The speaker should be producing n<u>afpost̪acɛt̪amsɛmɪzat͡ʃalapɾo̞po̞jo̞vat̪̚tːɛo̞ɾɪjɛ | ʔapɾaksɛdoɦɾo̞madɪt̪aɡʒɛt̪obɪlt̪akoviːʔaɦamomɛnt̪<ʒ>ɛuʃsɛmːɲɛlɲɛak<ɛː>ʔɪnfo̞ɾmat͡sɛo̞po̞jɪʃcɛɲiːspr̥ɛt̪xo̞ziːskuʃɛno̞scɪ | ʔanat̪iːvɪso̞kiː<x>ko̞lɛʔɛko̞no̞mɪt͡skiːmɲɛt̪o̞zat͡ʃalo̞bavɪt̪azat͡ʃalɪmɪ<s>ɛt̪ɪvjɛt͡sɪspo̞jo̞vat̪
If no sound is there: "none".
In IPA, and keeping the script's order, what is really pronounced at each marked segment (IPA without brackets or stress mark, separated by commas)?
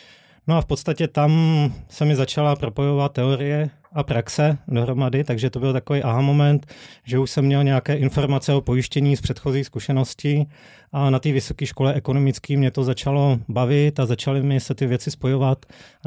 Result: o, ʒ, ɛː, ʃ, s